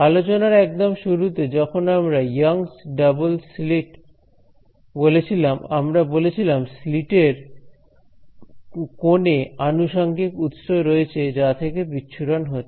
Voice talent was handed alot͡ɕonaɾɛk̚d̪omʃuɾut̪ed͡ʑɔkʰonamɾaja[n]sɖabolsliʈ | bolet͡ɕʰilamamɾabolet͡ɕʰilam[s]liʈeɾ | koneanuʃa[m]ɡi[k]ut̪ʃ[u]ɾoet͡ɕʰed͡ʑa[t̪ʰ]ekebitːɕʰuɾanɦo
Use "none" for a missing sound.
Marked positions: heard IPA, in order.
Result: ŋ, s, ŋ, k, o, t̪ʰ

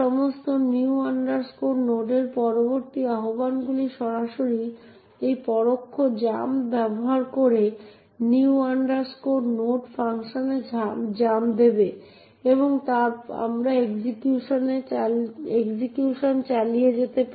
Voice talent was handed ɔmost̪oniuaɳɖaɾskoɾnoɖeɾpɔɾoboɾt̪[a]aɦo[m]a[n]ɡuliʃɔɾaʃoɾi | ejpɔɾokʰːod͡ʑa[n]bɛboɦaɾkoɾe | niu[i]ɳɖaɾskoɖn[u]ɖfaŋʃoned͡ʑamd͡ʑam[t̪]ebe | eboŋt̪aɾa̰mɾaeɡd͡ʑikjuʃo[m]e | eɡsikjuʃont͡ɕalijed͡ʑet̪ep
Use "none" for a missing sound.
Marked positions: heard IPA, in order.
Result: i, b, n, m, a, o, d̪, n

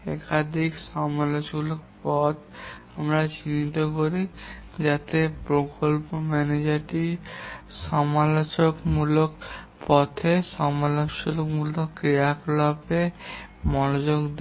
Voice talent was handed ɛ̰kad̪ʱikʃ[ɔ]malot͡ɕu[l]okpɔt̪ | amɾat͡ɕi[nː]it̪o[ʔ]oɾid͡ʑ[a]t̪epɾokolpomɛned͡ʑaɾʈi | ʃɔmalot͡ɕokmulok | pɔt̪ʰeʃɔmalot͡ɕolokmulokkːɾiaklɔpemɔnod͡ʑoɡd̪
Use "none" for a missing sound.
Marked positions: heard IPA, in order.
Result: ɔ, l, n, k, a

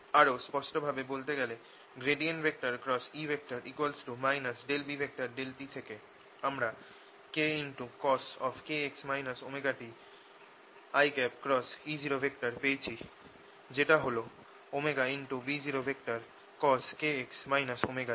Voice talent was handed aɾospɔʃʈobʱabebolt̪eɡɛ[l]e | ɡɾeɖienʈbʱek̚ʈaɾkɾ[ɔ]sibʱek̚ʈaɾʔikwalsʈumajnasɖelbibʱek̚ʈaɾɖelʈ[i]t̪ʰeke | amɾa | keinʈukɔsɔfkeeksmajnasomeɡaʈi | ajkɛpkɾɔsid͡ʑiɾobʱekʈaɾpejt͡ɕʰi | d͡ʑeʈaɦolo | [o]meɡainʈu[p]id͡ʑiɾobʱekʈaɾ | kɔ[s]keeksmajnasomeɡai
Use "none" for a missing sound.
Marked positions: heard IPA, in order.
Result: l, ɔ, i, o, b, s

